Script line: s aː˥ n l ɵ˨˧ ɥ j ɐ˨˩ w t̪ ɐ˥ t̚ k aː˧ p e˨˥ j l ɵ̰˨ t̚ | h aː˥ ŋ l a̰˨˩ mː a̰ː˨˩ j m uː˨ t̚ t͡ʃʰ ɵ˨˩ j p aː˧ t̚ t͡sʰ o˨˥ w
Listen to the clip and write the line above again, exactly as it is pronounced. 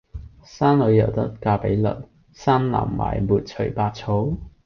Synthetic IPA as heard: s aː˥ n l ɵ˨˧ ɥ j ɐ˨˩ w t̪ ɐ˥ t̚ k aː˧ p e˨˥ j l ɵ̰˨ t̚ | s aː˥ n l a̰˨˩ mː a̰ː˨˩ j m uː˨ t̚ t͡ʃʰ ɵ˨˩ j p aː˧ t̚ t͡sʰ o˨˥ w